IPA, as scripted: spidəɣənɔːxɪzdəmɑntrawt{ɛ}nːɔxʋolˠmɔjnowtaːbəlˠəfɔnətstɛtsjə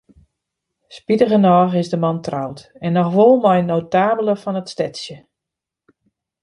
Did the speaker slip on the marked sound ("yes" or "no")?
no